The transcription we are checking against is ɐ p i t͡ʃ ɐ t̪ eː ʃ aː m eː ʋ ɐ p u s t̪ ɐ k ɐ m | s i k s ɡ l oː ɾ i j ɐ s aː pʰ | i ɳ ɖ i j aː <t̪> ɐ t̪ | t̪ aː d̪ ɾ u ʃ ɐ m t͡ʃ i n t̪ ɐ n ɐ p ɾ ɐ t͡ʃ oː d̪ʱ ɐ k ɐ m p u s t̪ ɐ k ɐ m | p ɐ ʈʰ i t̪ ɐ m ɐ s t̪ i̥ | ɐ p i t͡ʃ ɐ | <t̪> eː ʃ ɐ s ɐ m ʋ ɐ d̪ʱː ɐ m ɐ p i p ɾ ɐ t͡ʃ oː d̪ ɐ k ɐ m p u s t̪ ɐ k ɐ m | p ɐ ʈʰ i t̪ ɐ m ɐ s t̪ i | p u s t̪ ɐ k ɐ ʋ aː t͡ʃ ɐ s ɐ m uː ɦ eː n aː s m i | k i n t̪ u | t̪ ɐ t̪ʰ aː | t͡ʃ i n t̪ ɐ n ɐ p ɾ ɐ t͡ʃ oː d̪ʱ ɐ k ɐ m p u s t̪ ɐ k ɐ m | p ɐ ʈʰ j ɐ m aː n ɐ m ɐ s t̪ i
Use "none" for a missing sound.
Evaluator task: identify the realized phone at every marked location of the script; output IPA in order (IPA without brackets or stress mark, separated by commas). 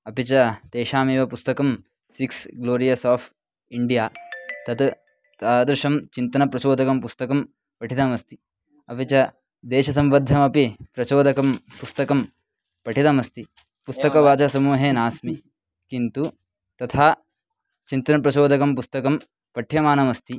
t̪, d̪